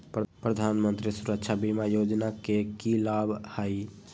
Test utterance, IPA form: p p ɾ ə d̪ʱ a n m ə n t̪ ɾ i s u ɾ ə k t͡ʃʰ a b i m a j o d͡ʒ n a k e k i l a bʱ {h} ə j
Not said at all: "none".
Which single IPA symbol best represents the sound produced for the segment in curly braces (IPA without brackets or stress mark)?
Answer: h